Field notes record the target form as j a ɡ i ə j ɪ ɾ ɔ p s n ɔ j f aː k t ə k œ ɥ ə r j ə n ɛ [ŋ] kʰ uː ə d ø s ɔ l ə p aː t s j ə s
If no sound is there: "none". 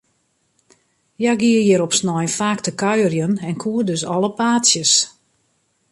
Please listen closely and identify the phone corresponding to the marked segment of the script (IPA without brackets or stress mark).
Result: n